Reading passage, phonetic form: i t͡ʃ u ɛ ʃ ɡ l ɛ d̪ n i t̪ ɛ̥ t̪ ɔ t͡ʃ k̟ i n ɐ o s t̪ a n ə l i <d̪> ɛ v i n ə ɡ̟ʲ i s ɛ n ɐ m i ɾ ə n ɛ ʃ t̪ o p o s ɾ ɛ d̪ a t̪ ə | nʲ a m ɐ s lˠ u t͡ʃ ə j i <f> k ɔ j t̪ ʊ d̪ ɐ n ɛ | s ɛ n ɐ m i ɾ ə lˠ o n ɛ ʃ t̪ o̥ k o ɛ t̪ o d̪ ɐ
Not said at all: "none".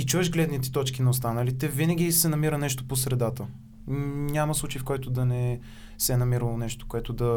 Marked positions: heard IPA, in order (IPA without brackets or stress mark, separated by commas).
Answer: t̪, f